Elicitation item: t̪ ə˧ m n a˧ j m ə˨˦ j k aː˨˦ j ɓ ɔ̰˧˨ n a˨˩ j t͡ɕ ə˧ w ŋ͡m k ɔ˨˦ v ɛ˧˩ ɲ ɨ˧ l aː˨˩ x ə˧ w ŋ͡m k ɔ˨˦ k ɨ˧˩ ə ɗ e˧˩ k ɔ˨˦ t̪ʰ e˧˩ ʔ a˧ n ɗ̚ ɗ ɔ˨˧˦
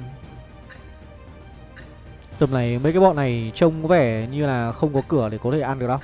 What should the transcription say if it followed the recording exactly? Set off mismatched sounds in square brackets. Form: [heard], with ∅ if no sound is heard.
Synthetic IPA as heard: t̪ [ə˨˩] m n [a˨˩] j m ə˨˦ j k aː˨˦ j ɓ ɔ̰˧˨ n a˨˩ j t͡ɕ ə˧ w ŋ͡m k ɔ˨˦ v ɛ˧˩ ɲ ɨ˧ l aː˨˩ x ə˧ w ŋ͡m k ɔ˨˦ k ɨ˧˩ ə ɗ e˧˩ k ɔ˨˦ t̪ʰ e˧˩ ʔ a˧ n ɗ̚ ɗ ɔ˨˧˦